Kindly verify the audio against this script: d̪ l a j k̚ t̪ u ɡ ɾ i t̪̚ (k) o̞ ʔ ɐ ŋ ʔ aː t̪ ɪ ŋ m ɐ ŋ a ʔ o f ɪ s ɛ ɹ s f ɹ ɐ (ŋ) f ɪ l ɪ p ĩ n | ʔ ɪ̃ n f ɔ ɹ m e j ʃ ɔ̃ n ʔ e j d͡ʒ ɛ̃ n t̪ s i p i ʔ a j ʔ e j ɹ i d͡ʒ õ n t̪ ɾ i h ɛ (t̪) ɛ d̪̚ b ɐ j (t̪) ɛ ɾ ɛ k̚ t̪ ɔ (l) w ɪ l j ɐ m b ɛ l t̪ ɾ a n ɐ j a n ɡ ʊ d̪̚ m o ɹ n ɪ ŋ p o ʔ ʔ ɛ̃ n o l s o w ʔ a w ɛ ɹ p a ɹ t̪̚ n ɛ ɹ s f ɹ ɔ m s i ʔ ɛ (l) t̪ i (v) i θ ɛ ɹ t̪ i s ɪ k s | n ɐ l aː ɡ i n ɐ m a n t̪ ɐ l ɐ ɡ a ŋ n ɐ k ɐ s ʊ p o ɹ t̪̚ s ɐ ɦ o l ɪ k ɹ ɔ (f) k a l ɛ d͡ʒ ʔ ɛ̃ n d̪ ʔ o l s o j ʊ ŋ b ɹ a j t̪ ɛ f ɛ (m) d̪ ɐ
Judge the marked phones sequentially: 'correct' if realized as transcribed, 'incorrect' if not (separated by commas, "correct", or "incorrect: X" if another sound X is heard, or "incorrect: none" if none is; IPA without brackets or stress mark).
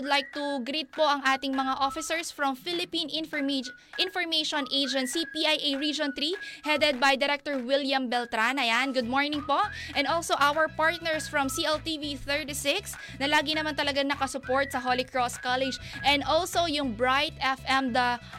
incorrect: p, incorrect: m, incorrect: d̪, incorrect: d̪, incorrect: ɹ, correct, correct, incorrect: s, correct